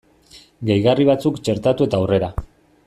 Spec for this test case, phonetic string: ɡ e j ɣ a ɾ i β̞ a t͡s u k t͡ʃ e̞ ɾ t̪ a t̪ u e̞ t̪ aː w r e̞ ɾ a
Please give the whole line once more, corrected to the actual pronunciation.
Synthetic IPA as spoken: ɡ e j ɣ a r i β̞ a t͡s u k t͡ʃ e̞ ɾ t̪ a t̪ u e̞ t̪ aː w r e̞ ɾ a